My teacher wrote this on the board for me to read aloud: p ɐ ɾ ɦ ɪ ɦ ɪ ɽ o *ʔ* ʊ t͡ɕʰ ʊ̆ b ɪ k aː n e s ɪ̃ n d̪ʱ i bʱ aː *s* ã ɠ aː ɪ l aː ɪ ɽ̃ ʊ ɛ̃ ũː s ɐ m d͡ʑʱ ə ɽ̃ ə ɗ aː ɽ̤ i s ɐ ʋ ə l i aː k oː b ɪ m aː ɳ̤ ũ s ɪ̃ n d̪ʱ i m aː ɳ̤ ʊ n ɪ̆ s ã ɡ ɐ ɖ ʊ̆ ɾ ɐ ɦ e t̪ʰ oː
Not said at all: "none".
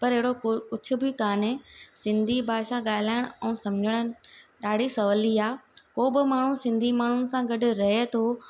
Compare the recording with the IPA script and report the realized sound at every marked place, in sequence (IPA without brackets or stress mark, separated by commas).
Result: k, ʃ